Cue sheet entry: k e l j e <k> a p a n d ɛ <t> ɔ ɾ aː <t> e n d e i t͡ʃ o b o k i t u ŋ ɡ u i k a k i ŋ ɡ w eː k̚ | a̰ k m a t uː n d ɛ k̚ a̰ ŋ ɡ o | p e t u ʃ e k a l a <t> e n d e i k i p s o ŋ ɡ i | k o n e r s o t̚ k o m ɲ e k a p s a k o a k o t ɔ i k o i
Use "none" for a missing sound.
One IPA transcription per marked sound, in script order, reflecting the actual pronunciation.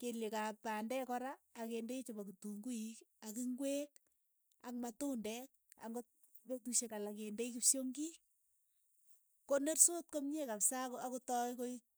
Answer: k, k, k, k

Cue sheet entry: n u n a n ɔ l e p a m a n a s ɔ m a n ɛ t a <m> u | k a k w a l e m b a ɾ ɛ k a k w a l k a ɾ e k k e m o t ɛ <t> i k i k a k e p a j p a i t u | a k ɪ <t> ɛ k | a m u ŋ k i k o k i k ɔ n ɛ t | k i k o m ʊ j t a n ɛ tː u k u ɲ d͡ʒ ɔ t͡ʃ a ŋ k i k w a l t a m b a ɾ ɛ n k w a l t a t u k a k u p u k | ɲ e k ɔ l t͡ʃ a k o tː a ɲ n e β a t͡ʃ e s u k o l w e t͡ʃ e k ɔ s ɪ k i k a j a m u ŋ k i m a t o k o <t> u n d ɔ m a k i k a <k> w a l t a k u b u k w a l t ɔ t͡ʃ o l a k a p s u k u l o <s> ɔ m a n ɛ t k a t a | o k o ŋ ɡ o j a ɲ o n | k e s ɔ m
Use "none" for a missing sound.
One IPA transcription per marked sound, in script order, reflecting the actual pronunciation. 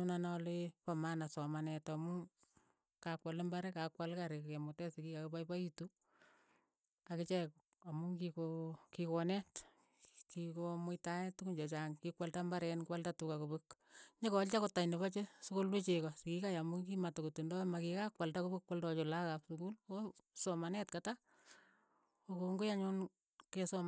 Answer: m, s, t͡ʃ, t, k, s

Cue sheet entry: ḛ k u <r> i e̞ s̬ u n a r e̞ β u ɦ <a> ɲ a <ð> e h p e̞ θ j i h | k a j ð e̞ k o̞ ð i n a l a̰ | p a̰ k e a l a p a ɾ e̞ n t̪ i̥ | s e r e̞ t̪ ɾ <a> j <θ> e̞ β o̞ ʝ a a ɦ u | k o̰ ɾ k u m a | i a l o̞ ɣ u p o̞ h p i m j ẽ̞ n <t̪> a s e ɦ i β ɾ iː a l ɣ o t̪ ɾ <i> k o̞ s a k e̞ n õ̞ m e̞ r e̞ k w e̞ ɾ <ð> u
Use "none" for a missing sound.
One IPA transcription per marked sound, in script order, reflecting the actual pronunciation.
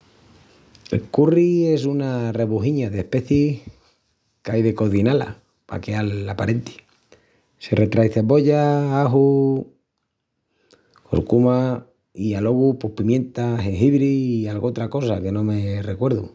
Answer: r, i, ð, a, θ, t̪, a, ð

